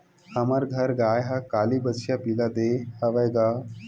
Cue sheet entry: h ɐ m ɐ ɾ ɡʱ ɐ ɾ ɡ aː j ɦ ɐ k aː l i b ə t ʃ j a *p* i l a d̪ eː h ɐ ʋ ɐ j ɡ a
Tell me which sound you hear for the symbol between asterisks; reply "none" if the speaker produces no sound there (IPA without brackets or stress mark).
p